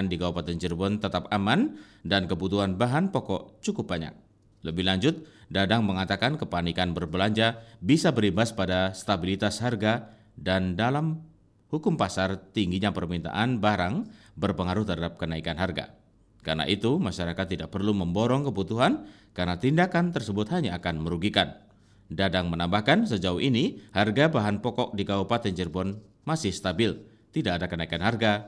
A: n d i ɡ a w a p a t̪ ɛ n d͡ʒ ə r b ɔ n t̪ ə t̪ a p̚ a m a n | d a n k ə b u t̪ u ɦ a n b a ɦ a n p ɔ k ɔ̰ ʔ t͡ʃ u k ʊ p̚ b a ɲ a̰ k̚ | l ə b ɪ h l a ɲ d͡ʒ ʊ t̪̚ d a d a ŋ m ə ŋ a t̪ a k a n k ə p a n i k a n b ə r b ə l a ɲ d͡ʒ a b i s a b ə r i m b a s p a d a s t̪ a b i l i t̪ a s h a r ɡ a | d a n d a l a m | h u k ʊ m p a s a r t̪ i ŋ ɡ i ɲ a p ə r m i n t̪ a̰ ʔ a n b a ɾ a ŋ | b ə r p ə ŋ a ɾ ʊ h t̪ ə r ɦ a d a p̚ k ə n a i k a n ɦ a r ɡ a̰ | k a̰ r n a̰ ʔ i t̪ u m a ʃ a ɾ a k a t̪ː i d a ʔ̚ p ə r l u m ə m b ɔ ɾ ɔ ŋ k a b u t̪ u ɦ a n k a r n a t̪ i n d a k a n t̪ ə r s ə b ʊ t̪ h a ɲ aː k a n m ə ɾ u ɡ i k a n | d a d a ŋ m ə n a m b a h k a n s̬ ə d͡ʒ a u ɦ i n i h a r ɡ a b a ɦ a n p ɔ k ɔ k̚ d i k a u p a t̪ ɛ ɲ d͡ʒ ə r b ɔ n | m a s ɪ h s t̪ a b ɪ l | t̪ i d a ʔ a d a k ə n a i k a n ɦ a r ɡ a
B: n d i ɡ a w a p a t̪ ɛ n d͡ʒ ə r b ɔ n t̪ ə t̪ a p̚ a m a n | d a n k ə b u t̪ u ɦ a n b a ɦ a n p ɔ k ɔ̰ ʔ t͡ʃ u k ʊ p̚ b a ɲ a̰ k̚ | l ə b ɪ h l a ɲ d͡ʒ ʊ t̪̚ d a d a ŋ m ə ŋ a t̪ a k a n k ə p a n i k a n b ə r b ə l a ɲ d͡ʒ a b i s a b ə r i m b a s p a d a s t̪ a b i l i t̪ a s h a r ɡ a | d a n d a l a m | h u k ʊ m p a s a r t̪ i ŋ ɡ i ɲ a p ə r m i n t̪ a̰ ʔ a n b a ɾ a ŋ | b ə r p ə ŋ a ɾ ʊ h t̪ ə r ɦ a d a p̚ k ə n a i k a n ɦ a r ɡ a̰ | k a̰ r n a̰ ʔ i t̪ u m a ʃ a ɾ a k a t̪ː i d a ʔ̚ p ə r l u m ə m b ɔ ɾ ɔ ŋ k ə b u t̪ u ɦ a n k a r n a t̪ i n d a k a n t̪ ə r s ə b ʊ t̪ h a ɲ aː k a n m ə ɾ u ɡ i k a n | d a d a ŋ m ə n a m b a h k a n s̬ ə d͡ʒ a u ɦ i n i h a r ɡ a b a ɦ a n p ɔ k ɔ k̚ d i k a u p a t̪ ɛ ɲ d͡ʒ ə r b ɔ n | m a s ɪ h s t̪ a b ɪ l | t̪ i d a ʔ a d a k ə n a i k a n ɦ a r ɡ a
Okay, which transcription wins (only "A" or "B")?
B